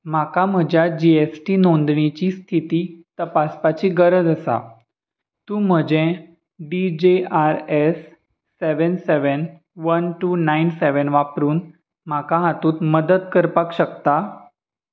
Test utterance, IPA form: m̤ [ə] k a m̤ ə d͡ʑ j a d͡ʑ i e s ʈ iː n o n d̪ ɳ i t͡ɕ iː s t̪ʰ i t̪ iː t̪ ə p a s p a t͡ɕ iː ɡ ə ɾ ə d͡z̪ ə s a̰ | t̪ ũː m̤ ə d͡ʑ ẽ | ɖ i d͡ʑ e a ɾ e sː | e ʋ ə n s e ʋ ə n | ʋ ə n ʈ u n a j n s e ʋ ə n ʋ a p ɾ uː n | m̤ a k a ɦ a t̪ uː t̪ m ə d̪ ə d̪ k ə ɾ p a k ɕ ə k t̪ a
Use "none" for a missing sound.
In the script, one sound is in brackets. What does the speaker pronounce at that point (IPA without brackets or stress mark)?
a